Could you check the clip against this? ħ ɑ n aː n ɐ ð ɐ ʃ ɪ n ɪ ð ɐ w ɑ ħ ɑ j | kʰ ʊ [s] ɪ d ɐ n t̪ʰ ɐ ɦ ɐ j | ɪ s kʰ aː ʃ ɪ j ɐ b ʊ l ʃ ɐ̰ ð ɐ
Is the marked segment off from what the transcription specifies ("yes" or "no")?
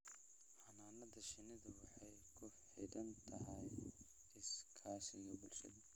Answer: yes